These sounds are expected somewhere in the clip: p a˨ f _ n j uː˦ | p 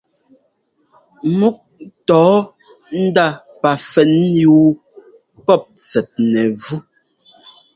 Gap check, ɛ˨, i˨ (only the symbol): ɛ˨